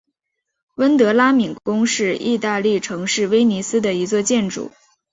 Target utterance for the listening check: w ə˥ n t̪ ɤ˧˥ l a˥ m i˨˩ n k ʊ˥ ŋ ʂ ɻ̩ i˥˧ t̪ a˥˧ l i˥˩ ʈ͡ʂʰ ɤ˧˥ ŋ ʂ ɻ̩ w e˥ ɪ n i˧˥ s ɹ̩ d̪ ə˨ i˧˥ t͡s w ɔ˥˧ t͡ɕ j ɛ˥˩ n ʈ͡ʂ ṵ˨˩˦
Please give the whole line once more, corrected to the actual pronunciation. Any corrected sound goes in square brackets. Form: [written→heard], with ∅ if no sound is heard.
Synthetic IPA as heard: w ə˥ n t̪ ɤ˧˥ l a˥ m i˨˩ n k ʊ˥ ŋ ʂ ɻ̩ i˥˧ t̪ a˥˧ l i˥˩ ʈ͡ʂʰ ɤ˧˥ ŋ ʂ ɻ̩ w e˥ ɪ n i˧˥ s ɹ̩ d̪ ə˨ i˧˥ t͡s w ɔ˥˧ t͡ɕ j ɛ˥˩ n ʈ͡ʂ ṵ˨˩˦